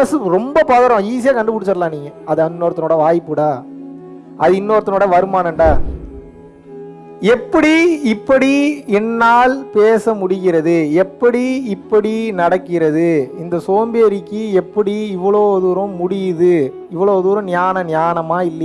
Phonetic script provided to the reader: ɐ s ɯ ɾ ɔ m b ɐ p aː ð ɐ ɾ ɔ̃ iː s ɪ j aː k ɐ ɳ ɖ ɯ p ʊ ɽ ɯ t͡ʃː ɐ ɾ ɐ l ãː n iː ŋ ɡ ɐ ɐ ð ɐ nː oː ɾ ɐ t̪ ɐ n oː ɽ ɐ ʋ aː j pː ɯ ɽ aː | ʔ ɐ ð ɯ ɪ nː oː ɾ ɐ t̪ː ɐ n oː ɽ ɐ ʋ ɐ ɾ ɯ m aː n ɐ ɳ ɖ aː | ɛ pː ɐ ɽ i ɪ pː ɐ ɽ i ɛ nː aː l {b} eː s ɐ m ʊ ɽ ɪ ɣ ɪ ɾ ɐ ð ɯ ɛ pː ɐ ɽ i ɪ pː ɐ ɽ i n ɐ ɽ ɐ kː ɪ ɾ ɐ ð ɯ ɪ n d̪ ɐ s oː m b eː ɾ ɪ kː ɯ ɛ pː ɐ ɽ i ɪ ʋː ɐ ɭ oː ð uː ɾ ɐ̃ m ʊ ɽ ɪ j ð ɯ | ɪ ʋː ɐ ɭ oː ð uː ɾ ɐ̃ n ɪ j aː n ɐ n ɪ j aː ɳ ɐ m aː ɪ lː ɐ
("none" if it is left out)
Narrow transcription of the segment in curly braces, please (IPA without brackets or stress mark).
p